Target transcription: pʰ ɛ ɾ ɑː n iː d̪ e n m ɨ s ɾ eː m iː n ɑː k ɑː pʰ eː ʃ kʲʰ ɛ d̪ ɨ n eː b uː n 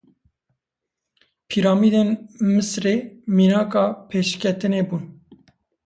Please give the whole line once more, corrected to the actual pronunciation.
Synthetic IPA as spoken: pʰ i ɾ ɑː m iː d̪ e n m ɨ s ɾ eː m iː n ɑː k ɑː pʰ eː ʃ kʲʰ ɛ t̪ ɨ n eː b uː n